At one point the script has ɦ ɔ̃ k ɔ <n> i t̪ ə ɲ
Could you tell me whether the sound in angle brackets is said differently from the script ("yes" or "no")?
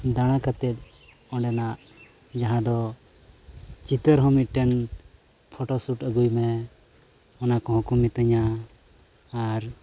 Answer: yes